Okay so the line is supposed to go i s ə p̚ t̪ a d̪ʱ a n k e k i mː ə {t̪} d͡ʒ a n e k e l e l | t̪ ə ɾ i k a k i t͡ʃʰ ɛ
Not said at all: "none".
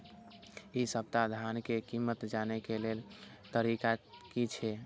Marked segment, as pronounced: t̪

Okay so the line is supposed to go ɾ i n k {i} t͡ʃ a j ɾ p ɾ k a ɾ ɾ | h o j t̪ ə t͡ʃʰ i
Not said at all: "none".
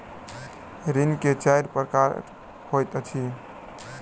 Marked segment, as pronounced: e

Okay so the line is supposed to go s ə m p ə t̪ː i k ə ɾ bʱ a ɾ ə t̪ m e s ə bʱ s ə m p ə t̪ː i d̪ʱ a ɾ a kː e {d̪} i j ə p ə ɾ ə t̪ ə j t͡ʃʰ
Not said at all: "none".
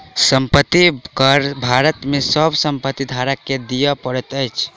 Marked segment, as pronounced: d̪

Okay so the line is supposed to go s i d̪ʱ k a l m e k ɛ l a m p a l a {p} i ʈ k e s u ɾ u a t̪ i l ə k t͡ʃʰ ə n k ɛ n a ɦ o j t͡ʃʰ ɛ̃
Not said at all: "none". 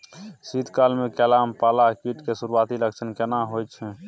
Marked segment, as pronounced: k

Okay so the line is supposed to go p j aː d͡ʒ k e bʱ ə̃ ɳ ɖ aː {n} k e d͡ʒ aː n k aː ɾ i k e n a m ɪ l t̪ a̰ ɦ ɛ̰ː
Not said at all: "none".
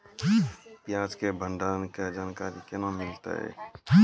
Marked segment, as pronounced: n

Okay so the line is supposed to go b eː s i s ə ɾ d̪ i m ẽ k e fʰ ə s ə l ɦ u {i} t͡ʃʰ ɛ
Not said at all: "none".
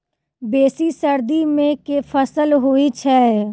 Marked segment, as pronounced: i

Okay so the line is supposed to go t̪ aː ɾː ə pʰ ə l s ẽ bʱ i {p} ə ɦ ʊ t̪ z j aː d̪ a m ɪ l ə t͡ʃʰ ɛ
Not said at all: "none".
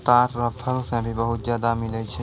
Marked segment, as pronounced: b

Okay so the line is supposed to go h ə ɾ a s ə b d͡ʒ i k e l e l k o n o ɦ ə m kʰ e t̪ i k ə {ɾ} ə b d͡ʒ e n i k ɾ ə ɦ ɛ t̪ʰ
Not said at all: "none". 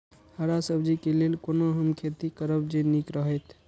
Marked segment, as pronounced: ɾ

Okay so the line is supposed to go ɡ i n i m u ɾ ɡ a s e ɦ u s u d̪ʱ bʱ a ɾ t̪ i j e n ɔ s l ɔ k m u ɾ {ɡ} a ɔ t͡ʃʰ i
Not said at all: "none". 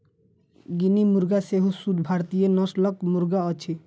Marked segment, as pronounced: ɡ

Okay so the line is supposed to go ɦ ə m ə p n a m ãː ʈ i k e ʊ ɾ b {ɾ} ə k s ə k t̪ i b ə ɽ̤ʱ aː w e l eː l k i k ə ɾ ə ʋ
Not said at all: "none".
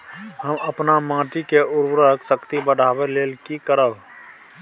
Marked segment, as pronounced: ɾ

